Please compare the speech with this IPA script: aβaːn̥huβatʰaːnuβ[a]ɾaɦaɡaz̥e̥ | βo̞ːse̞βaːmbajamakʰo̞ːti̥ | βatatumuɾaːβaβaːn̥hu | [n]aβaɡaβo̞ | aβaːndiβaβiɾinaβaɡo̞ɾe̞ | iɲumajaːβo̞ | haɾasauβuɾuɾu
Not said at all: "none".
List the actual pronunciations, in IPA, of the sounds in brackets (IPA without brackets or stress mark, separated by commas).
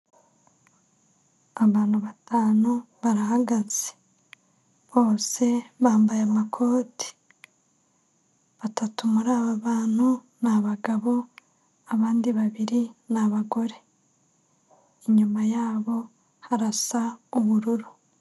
a, n